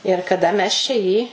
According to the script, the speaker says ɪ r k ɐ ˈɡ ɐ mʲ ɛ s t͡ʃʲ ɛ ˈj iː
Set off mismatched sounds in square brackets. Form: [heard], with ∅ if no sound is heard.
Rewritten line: ɪ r k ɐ [ˈd] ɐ mʲ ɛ s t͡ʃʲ ɛ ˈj iː